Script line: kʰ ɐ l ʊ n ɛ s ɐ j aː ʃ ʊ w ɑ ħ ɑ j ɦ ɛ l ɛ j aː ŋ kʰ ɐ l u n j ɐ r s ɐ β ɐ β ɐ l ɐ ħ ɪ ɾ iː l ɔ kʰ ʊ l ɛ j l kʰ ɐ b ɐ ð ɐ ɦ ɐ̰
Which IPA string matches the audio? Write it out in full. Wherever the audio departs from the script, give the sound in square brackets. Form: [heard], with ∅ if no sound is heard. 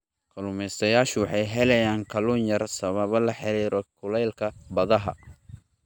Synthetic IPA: kʰ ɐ l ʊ [m] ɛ s ɐ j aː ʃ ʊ w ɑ ħ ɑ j ɦ ɛ l ɛ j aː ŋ kʰ ɐ l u n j ɐ r s ɐ β ɐ β ɐ l ɐ ħ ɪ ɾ iː [ɾ] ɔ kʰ ʊ l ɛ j l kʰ ɐ b ɐ ð ɐ ɦ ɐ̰